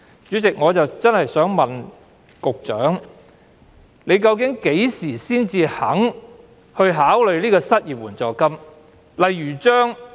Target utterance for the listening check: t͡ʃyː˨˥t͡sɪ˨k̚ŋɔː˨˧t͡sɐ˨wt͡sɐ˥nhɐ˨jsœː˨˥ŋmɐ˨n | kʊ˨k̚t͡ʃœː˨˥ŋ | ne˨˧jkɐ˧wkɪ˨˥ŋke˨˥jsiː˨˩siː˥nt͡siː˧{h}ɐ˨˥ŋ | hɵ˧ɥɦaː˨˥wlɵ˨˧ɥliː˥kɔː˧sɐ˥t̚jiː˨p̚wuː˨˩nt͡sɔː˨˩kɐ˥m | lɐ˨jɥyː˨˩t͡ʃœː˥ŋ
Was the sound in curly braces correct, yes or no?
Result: yes